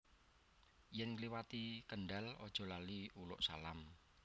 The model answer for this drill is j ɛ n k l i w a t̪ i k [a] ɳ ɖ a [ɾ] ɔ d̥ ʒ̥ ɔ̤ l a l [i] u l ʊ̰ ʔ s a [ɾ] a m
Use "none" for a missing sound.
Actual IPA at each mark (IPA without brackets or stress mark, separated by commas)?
ə, l, i, l